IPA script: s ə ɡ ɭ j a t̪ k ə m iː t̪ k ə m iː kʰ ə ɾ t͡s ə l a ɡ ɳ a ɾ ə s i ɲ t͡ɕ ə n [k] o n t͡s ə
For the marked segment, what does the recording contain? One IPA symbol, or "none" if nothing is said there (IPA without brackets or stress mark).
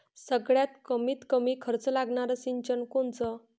k